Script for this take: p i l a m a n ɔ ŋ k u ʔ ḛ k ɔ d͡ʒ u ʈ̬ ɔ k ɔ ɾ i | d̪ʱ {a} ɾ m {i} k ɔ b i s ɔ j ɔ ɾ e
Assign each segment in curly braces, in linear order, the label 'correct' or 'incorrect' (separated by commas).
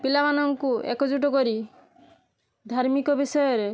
correct, correct